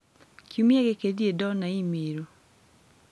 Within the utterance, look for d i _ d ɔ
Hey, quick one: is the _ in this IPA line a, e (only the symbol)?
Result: e